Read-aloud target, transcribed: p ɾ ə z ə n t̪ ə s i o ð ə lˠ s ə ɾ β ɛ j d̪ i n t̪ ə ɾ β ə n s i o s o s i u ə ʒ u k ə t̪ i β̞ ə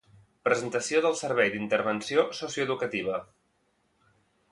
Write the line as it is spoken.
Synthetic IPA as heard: p ɾ ə z ə n t̪ ə s i o ð ə lˠ s ə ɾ β ɛ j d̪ i n t̪ ə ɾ β ə n s i o s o s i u ə ð u k ə t̪ i β̞ ə

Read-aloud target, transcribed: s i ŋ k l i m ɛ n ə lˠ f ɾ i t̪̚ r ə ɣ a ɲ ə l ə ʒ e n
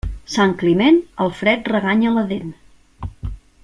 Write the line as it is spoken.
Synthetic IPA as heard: s a ŋ k l i m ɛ n ə lˠ f ɾ ɛ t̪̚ r ə ɣ a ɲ ə l ə ð e n

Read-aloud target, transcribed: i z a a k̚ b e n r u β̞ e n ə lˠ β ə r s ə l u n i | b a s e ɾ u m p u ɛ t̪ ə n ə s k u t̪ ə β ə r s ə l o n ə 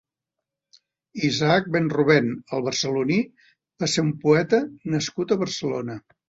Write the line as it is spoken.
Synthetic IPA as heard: i z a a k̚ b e n r u β̞ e n ə lˠ β ə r s ə l u n i | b a s e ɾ u m p u ɛ t̪ ə n ə s k u t̪ ə β ə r s ə l o n ə

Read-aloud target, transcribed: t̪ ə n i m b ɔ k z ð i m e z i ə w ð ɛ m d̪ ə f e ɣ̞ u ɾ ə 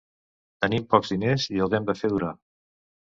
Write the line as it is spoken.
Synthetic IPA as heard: t̪ ə n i m p ɔ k z ð i n e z i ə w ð ɛ m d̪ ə f e ð̞ u ɾ a

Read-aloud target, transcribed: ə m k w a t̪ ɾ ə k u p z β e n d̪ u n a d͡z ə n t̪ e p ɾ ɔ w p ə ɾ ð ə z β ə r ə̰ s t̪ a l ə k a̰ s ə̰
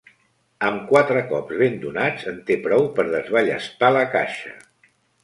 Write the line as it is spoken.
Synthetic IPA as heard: ə m k w a t̪ ɾ ə k ɔ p z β e n d̪ u n a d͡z ə n t̪ e p ɾ ɔ w p ə ɾ ð ə z β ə ʎ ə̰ s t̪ a l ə k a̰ ʃ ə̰

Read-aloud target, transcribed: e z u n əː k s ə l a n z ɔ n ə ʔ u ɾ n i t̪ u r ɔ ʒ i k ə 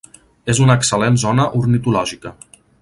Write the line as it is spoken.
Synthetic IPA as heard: e z u n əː k s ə l e n z ɔ n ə ʔ u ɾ n i t̪ u l ɔ ʒ i k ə

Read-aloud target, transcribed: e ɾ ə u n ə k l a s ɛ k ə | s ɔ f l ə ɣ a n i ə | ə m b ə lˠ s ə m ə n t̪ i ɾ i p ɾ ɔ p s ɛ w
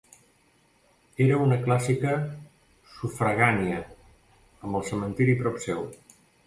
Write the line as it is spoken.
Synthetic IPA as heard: e ɾ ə u n ə k l a s i k ə | s u f ɾ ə ɣ a n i ə | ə m b ə lˠ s ə m ə n t̪ i ɾ i p ɾ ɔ p s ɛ w

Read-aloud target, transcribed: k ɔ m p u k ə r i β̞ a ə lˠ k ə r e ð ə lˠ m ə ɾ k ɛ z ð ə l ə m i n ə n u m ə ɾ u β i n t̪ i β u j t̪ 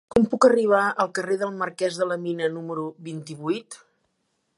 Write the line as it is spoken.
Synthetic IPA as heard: k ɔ m p u k ə r i β̞ a ə lˠ k ə r e ð ə lˠ m ə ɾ k ɛ z ð ə l ə m i n ə n u m ə ɾ u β i n t̪ i β u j t̪

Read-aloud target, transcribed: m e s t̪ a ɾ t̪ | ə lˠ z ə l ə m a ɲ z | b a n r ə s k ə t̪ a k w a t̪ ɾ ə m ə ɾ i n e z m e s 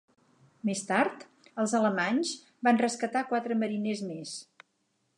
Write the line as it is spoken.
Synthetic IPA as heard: m e s t̪ a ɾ t̪ | ə lˠ z ə l ə m a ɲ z | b a n r ə s k ə t̪ a k w a t̪ ɾ ə m ə ɾ i n e z m e s

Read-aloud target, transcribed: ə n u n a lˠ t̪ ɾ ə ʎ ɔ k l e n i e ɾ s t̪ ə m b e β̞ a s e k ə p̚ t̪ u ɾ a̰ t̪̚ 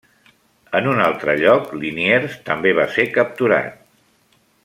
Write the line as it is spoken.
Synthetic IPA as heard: ə n u n a lˠ t̪ ɾ ə ʎ ɔ k l i n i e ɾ s t̪ ə m b e β̞ a s e k ə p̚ t̪ u ɾ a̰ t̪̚

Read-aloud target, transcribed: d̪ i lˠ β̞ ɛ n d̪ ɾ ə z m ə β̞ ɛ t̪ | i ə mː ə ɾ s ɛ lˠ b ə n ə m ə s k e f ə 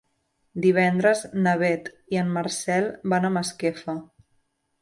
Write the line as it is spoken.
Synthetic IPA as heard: d̪ i β̞ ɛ n d̪ ɾ ə z n ə β̞ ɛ t̪ | i ə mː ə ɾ s ɛ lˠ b a n ə m ə s k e f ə

